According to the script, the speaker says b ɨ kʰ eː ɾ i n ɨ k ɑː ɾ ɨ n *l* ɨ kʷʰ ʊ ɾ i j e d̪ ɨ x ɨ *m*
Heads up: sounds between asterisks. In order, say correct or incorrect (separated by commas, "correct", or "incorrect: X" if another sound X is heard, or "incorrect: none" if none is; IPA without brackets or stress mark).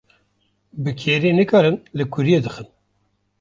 correct, incorrect: n